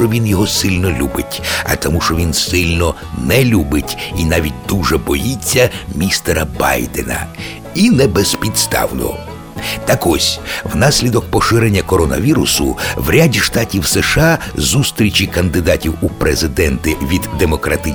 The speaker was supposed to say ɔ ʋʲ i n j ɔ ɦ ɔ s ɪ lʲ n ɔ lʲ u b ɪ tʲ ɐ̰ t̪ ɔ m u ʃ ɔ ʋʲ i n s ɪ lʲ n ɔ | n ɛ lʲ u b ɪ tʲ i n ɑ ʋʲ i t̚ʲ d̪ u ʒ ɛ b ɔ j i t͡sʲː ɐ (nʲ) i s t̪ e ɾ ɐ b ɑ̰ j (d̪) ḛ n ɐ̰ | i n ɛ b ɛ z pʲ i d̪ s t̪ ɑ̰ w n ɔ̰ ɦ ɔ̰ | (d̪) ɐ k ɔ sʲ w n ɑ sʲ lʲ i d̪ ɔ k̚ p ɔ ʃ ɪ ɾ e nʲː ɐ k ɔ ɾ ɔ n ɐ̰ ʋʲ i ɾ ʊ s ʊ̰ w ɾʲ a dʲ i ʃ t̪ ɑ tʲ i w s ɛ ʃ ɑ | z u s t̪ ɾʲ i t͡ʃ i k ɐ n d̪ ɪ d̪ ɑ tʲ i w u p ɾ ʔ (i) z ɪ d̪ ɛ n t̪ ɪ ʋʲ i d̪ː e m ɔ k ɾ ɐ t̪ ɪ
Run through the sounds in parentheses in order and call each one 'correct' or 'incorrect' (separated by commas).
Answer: incorrect, correct, incorrect, incorrect